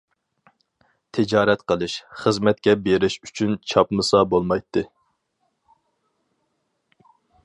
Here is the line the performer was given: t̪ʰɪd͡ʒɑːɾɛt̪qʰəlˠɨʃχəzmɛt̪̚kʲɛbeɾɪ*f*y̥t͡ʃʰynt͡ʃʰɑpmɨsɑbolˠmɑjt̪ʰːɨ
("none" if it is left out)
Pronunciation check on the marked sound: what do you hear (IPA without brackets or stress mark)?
ʃ